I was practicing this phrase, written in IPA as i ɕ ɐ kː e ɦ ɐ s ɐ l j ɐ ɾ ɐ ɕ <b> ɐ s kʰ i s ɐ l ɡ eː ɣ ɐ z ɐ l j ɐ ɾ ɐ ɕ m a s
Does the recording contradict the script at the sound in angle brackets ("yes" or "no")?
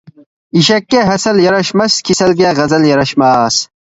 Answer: yes